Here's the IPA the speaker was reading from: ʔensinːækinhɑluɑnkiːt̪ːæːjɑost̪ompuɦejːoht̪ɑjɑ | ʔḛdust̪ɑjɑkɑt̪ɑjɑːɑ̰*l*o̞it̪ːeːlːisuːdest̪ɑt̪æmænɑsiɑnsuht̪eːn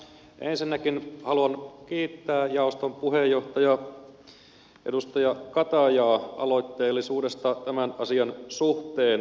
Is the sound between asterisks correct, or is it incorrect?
correct